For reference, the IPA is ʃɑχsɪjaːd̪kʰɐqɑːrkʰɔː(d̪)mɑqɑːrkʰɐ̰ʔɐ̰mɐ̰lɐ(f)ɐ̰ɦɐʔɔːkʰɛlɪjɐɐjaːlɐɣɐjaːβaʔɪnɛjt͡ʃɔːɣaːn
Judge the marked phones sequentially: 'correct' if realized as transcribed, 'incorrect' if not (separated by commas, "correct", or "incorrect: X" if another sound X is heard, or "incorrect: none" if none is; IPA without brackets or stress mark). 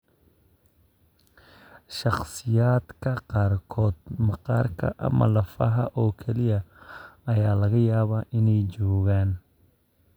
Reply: correct, correct